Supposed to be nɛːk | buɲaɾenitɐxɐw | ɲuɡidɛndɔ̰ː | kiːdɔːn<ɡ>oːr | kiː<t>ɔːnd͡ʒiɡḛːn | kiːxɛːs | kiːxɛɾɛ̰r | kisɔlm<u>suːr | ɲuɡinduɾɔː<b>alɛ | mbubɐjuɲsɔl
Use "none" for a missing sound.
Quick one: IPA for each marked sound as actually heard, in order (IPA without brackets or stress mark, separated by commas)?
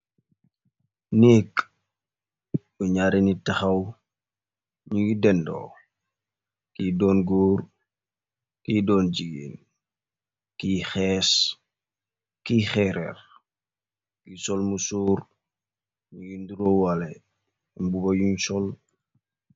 ɡ, d, u, w